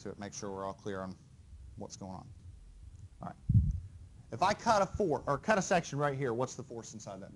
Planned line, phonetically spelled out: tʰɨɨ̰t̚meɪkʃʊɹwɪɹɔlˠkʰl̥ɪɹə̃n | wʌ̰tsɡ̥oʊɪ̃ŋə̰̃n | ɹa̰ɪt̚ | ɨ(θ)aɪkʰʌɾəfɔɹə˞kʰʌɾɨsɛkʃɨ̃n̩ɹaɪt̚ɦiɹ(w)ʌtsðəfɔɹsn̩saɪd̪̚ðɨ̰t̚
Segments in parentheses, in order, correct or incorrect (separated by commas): incorrect, correct